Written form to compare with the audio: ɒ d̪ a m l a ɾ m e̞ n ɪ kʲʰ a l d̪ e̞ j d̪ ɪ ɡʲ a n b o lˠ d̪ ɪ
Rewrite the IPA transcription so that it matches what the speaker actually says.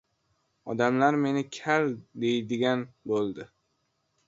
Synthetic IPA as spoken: ɒ d̪ a m l a ɾ m e̞ n ɪ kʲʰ a l d̪ e̞ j d̪ ɪ ɡʲ a n b o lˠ d̪ ɪ